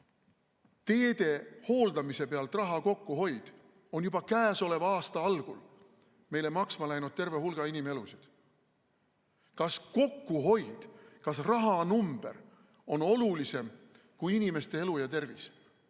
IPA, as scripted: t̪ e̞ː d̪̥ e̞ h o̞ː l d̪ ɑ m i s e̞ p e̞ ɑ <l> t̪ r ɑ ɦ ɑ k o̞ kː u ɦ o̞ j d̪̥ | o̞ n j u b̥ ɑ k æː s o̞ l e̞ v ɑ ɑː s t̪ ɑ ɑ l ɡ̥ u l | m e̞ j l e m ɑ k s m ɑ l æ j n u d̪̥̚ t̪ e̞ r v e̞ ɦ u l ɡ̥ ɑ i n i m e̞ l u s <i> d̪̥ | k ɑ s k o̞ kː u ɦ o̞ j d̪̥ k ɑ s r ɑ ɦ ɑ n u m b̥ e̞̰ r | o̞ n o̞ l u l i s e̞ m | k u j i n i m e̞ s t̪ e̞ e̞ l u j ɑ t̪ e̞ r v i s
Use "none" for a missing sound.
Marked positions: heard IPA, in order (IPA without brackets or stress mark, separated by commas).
l, i